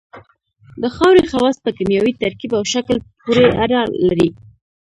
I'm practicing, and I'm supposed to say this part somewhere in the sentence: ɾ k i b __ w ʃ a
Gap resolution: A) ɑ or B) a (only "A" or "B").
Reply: B